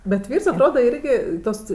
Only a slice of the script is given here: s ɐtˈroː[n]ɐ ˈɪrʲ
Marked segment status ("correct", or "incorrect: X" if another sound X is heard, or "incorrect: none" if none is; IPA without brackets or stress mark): incorrect: d